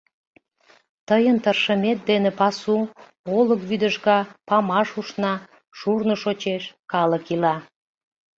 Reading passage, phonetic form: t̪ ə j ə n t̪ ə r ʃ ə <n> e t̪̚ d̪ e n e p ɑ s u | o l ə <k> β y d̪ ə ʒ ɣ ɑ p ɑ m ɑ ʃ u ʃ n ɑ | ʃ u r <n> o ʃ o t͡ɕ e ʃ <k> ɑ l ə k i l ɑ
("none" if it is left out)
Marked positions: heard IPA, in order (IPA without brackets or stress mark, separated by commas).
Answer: m, k, n, k